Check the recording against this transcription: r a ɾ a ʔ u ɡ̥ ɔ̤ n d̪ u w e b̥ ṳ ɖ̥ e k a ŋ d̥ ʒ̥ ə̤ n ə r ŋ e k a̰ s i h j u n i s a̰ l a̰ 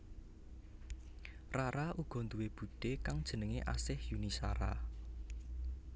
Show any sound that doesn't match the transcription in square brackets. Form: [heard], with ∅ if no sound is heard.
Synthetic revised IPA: r a ɾ a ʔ u ɡ̥ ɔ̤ n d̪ u w e b̥ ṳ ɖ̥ e k a ŋ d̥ ʒ̥ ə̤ n ə [∅] ŋ e [ʔ] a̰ s [ɪ] h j u n i s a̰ [ɾ] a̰